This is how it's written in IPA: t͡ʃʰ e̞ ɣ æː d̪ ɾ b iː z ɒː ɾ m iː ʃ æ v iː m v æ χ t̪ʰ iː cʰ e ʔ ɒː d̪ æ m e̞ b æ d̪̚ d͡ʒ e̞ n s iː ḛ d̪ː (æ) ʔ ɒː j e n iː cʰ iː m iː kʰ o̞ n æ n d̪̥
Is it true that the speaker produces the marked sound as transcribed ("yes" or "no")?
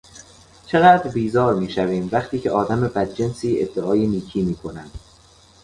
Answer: no